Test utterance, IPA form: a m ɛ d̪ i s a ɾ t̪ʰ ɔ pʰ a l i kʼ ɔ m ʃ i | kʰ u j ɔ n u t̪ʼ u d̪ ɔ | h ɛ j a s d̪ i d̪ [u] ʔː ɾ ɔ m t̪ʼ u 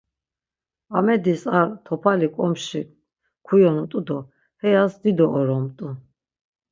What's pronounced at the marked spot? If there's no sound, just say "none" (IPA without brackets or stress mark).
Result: ɔ